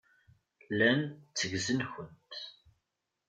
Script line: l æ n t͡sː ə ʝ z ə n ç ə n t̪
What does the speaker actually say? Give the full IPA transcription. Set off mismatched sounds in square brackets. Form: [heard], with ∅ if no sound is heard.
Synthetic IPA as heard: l æ n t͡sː ə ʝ z ə n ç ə n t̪

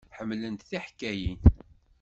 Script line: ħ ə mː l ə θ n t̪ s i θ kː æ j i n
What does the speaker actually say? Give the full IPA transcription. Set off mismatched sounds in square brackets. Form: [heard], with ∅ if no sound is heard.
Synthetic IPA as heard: ħ ə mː l ə [∅] n t̪ [θ] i [ħ] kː æ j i n

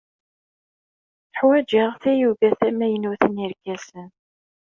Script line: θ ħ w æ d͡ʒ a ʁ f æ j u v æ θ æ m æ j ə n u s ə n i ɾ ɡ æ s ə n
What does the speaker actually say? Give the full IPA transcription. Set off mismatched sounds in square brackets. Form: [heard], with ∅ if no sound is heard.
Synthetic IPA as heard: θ ħ w æ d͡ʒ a ʁ [θ] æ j u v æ θ æ m æ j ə n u [θ] ə n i ɾ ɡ æ s ə n

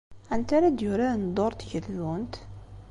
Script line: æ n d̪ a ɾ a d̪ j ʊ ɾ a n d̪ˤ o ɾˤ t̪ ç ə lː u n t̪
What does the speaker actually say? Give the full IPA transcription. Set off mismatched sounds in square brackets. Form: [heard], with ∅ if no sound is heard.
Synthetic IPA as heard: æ n [t̪] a ɾ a d̪ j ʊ ɾ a n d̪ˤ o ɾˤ t̪ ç ə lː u n t̪

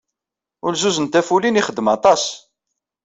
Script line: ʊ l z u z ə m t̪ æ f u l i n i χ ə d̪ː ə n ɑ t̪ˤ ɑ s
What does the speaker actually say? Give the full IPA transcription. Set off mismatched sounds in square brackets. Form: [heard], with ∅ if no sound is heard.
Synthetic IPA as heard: ʊ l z u z ə [n] t̪ æ f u l i n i χ ə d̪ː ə [m] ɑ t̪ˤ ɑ s

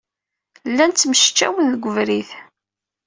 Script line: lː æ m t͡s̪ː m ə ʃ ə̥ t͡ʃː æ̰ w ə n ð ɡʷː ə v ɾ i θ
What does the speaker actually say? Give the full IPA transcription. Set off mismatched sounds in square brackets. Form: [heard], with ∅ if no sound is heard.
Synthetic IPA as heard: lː æ [n] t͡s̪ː m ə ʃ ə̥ t͡ʃː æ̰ w ə n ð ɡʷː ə v ɾ i θ

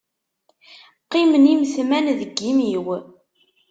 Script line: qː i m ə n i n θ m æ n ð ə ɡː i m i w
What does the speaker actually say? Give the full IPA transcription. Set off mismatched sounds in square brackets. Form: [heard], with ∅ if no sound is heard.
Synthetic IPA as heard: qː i m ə n i [m] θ m æ n ð ə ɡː i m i w

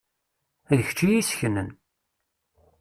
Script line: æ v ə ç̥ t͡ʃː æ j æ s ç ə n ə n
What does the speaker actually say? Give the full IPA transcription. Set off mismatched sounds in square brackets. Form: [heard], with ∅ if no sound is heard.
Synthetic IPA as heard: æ [ð] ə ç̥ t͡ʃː [i] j [i] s ç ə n ə n

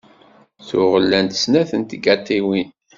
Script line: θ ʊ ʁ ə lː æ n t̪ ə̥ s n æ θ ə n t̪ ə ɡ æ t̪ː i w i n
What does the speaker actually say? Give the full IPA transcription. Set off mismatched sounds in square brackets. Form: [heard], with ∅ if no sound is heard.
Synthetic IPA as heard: θ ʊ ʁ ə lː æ n t̪ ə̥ s n æ θ ə n t̪ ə ɡ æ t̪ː i w i n

